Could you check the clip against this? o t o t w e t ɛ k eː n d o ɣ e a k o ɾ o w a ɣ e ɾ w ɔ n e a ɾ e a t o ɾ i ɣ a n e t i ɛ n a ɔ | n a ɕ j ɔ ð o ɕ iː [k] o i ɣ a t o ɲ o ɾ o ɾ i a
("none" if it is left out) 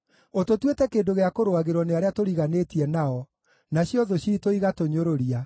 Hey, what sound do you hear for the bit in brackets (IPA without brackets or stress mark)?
t